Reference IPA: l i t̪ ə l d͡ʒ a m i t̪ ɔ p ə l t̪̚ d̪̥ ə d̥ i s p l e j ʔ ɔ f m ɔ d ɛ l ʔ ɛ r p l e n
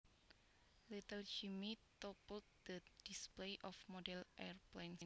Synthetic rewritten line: l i t̪ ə l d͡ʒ i m i t̪ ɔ p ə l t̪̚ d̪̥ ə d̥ i s p l e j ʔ ɔ f m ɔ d ɛ l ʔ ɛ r p l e n